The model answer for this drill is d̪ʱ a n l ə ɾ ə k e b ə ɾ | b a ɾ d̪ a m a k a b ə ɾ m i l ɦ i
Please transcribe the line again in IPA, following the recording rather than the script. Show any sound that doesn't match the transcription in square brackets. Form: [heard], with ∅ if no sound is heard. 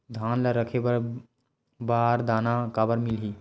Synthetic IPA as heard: d̪ʱ a n l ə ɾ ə [kʰ] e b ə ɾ | b a ɾ d̪ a [n] a k a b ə ɾ m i l ɦ i